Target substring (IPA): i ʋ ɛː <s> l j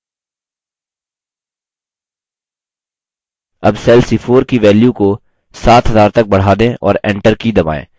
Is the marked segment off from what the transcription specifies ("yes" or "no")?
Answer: yes